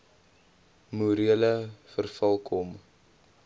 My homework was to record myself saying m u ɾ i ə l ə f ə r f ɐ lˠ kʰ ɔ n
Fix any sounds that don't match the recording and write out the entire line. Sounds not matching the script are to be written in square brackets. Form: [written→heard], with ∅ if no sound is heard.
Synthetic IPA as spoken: m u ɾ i ə l ə f ə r f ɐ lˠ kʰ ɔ [n→m]

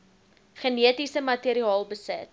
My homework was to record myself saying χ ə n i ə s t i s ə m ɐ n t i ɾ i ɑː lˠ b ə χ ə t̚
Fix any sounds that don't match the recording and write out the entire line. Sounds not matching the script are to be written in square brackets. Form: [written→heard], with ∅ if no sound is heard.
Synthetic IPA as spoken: χ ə n i ə [s→∅] t i s ə m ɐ [n→∅] t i ɾ i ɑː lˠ b ə [χ→s] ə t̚

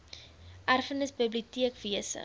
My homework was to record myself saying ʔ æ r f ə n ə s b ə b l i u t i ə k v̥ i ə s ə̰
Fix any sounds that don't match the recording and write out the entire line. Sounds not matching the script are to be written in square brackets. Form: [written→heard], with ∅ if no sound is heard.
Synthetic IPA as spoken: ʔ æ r f ə n ə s b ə b l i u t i ə k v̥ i ə s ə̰

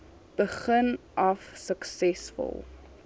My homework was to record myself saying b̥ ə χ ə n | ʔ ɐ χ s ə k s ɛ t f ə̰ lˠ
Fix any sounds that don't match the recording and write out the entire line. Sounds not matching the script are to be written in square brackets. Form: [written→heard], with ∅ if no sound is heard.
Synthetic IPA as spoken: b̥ ə χ ə n | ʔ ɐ [χ→f] s ə k s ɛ [t→s] f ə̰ lˠ

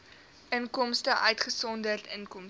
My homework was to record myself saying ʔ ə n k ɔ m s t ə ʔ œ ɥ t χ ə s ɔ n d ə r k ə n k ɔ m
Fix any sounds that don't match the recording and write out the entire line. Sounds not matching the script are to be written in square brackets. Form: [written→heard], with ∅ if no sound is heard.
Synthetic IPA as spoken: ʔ ə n k ɔ m s t ə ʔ œ ɥ t χ ə s ɔ n d ə r [k→t] ə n k ɔ m

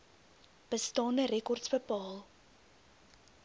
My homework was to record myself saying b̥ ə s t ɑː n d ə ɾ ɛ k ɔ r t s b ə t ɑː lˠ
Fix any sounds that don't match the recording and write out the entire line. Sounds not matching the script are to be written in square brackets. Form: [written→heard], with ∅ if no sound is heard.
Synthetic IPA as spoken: b̥ ə s t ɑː n d ə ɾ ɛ k ɔ r t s b ə [t→p] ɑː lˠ

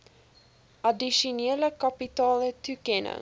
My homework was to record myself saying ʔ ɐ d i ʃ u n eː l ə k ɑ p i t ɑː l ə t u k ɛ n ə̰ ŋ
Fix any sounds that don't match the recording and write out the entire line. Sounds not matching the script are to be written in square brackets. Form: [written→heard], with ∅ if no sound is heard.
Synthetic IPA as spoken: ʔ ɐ d i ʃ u n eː l ə k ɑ p i t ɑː l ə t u k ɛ n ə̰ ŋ

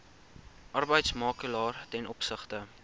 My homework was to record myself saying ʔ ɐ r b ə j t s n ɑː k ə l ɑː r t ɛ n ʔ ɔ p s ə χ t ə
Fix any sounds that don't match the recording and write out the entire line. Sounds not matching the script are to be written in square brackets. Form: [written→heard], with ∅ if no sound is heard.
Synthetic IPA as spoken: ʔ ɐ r b ə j t s [n→m] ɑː k ə l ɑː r t ɛ n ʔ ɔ p s ə χ t ə

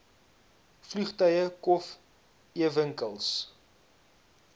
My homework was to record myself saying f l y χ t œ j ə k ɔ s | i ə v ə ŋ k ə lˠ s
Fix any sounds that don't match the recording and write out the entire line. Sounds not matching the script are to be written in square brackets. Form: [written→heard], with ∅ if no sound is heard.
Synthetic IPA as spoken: f l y χ t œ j ə k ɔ [s→f] | i ə v ə ŋ k ə lˠ s

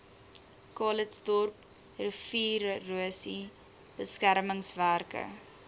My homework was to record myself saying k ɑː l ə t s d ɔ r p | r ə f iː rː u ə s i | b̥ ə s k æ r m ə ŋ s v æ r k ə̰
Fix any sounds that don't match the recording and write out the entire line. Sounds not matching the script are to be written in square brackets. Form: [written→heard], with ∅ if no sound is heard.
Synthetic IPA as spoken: k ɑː l ə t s d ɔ r p | r ə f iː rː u ə s i | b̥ ə s k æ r m ə ŋ s v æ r k ə̰

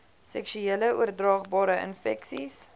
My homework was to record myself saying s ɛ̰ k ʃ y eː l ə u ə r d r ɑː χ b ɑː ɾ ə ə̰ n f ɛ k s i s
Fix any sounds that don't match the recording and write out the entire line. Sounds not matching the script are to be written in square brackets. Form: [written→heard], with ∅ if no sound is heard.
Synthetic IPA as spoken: s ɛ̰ k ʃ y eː l ə u ə r d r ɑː χ b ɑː ɾ ə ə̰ n f ɛ k s i s

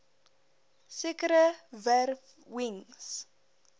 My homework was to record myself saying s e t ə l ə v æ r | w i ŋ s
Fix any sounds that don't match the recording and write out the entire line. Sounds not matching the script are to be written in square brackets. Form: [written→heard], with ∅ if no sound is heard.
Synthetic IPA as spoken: s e [t→k] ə [l→ɾ] ə v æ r | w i ŋ s

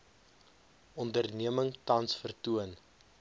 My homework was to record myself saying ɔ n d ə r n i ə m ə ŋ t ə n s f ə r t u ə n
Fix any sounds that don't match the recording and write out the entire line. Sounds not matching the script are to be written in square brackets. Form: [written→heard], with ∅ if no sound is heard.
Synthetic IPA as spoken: ɔ n d ə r n i ə m ə ŋ t [ə→ɐ] n s f ə r t u ə n

